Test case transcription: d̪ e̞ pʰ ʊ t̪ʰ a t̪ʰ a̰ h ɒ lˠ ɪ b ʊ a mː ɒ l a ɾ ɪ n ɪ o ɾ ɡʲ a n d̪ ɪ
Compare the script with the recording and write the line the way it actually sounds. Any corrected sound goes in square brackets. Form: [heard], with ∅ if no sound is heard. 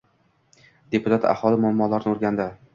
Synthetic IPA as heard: d̪ e̞ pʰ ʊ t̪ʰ a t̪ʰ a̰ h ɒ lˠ ɪ [m] ʊ a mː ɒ l a ɾ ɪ n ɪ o ɾ ɡʲ a n d̪ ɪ